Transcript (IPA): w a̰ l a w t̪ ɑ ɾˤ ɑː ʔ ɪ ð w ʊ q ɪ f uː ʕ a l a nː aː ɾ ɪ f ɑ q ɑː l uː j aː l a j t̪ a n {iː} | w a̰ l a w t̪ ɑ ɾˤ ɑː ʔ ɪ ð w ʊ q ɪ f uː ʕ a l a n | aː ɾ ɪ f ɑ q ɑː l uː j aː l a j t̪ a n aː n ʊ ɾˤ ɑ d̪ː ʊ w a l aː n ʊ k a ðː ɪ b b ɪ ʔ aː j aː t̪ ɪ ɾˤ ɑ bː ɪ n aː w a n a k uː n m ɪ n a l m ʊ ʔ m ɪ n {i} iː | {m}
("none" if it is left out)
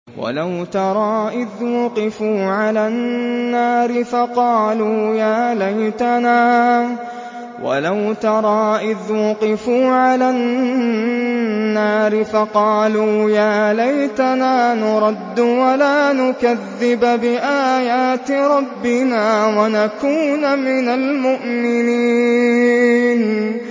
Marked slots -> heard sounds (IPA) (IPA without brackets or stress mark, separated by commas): aː, i, n